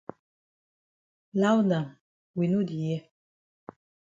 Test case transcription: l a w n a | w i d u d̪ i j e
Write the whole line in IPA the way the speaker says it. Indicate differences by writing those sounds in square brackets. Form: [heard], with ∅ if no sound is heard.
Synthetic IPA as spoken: l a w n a | w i [n] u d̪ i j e